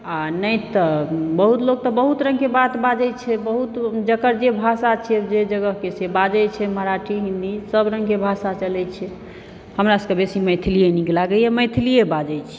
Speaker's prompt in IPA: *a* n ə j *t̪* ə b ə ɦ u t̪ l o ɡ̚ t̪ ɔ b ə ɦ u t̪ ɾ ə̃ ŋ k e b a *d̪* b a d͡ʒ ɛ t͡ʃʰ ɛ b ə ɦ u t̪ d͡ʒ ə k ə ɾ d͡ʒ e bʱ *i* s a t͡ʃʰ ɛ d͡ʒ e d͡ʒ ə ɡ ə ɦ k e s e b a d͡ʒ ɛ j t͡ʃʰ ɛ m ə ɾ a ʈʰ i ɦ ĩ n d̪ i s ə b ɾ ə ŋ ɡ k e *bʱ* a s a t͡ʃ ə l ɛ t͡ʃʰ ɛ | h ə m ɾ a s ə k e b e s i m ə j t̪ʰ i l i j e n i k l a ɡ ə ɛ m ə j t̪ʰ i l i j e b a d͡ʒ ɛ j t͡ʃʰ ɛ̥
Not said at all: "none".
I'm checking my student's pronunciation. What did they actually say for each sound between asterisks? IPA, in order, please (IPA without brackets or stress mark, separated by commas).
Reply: a, t̪, t̪, a, bʱ